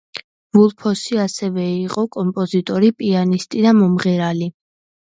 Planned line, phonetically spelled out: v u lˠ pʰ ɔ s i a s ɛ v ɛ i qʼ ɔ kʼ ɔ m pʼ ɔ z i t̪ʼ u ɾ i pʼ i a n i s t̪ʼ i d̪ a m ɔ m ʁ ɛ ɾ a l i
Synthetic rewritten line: v u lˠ pʰ ɔ s i a s ɛ v ɛ i qʼ ɔ kʼ ɔ m pʼ ɔ z i t̪ʼ ɔ ɾ i pʼ i a n i s t̪ʼ i d̪ a m ɔ m ʁ ɛ ɾ a l i